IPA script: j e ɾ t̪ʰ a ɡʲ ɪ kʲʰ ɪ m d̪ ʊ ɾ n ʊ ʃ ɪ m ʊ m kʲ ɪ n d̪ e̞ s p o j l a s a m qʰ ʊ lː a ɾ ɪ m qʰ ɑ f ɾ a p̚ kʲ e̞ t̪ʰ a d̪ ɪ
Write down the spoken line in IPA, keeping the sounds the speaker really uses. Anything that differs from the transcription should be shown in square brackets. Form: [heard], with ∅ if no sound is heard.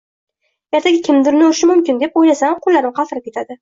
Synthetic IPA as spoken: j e ɾ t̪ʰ a ɡʲ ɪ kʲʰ ɪ m d̪ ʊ ɾ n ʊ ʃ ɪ m ʊ m kʲ ɪ n d̪ e̞ [∅] p o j l a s a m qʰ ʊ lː a ɾ ɪ m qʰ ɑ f ɾ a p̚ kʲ e̞ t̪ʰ a d̪ ɪ